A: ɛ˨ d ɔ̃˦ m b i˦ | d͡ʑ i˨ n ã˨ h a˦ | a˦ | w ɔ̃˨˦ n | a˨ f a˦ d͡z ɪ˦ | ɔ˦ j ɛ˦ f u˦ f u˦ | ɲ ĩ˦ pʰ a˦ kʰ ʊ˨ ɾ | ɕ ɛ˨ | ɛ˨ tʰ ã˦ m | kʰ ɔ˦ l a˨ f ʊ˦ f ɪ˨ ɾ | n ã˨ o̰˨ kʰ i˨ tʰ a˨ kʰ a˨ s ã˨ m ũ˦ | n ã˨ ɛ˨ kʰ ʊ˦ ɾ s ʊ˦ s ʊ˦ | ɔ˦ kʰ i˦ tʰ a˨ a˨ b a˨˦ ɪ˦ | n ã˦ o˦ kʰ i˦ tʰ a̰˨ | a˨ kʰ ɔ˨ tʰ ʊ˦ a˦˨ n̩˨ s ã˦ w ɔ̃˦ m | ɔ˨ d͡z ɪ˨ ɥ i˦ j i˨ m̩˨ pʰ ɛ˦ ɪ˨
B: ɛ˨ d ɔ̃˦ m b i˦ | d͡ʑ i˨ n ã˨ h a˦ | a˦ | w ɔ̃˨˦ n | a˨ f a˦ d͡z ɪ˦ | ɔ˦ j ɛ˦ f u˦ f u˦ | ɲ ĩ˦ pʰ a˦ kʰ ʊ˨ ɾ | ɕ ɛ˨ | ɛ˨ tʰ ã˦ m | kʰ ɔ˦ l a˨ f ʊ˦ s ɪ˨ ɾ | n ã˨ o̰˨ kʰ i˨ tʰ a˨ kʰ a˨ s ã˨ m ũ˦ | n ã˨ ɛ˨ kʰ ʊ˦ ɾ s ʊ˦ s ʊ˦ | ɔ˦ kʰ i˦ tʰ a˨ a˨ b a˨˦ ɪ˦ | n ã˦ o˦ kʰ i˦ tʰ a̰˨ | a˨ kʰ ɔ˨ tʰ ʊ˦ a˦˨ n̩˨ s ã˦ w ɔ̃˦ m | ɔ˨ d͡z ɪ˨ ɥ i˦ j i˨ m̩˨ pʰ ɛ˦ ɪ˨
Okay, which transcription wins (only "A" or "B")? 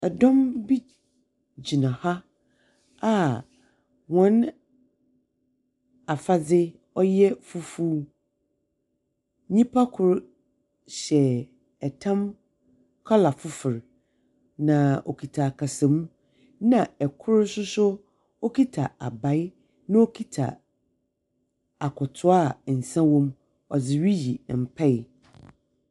A